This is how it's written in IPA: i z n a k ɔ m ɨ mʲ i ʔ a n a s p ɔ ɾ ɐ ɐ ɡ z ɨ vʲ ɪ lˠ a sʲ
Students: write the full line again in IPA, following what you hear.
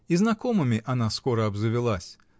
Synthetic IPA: i z n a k ɔ m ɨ mʲ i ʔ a n a s k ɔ ɾ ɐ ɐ b z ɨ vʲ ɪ lˠ a sʲ

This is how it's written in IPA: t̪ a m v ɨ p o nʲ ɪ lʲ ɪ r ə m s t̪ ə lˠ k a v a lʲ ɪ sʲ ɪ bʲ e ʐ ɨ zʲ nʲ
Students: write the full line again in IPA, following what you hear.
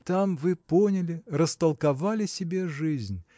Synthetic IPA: t̪ a m v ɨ p o nʲ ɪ lʲ ɪ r ə s t̪ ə lˠ k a v a lʲ ɪ sʲ ɪ bʲ e ʐ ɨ zʲ nʲ

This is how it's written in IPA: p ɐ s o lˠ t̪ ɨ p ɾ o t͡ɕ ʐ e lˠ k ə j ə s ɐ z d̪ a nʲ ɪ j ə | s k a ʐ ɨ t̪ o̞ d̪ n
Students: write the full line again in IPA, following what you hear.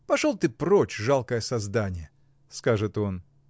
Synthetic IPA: p ɐ ʂ o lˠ t̪ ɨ p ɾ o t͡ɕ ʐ a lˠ k ə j ə s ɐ z d̪ a nʲ ɪ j ə | s k a ʐ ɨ t̪ o̞ n

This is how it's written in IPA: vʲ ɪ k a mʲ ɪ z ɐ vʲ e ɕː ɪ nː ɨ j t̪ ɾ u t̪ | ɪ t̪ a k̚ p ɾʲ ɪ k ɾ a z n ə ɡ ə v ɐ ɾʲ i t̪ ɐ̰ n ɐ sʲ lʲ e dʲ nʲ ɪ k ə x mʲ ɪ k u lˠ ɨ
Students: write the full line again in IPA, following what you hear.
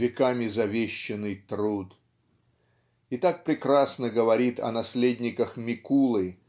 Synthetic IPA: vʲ ɪ k a mʲ ɪ z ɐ vʲ e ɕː ɪ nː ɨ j t̪ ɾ u t̪ | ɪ t̪ a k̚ p ɾʲ ɪ k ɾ a s n ə ɡ ə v ɐ ɾʲ i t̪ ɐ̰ n ɐ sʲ lʲ e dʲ nʲ ɪ k ə x mʲ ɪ k u lˠ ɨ

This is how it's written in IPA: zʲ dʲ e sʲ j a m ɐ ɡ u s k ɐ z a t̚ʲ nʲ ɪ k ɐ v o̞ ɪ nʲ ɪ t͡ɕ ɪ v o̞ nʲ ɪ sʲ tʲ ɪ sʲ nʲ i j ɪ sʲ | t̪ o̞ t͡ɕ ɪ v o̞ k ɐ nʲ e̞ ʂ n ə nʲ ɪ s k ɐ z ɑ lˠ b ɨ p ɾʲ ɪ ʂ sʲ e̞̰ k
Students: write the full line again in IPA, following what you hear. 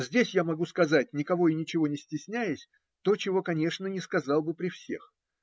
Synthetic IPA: zʲ dʲ e sʲ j a m ɐ ɡ u s k ɐ z a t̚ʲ nʲ ɪ k ɐ v o̞ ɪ nʲ ɪ t͡ɕ ɪ v o̞ nʲ ɪ sʲ tʲ ɪ sʲ nʲ æ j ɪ sʲ | t̪ o̞ t͡ɕ ɪ v o̞ k ɐ nʲ e̞ ʂ n ə nʲ ɪ s k ɐ z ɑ lˠ b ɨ p ɾʲ ɪ f sʲ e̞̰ x

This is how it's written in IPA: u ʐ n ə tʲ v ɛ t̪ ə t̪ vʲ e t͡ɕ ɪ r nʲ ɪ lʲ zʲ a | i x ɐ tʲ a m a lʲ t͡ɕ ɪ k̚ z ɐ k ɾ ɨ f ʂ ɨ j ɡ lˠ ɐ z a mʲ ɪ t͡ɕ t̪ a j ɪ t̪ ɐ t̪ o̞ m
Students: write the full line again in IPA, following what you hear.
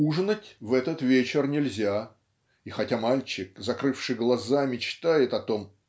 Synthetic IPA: u ʐ n ə tʲ v ɛ t̪ ə t̪ vʲ e t͡ɕ ɪ r nʲ ɪ lʲ zʲ a | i x ɐ tʲ a m a lʲ t͡ɕ ɪ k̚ z ɐ k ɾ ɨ f ʂ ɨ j ɡ lˠ ɐ z a mʲ ɪ t͡ɕ t̪ a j ɪ t̪ ɐ t̪ o̞ m

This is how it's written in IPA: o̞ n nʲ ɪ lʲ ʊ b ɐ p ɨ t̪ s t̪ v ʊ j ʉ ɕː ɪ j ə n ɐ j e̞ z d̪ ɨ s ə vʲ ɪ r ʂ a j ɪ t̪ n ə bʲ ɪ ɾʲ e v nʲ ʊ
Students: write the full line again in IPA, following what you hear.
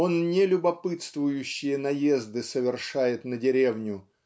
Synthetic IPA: o̞ n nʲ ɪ lʲ ʊ b ɐ p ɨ t̪ s t̪ v ʊ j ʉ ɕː ɪ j ə n ɐ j e̞ z d̪ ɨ s ə vʲ ɪ r ʂ a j ɪ t̪ n ə dʲ ɪ ɾʲ e v nʲ ʊ

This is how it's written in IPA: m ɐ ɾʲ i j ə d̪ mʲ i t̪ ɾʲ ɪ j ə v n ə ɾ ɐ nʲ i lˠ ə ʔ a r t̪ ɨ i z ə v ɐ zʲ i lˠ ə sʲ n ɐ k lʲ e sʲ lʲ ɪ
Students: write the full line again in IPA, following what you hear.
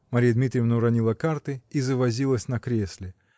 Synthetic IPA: m ɐ ɾʲ i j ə d̪ mʲ i t̪ ɾʲ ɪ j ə v n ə ɾ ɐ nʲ i lˠ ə k a r t̪ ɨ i z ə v ɐ zʲ i lˠ ə sʲ n ɐ k ɾʲ e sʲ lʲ ɪ

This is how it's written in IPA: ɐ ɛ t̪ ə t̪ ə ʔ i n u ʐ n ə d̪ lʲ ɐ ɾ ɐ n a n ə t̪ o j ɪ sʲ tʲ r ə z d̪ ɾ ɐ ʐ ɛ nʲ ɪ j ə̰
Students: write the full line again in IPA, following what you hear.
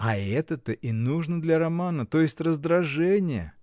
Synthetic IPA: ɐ ɛ t̪ ə t̪ ə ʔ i n u ʐ n ə d̪ lʲ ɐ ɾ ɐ m a n ə t̪ o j ɪ sʲ tʲ r ə z d̪ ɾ ɐ ʐ ɛ nʲ ɪ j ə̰

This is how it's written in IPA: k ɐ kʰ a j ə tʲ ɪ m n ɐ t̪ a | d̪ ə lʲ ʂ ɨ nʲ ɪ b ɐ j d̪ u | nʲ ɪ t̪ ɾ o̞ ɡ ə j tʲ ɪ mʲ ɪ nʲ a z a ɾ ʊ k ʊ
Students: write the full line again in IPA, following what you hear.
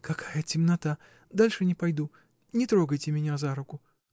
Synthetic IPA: k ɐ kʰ a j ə tʲ ɪ m n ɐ t̪ a | d̪ a lʲ ʂ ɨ nʲ ɪ p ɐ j d̪ u | nʲ ɪ t̪ ɾ o̞ ɡ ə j tʲ ɪ mʲ ɪ nʲ a z a ɾ ʊ k ʊ

